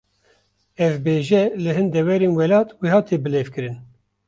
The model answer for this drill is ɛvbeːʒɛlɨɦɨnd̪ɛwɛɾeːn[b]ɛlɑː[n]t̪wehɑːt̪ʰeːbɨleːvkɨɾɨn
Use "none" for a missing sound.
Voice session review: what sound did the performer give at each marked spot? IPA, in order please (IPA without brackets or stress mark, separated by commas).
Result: w, none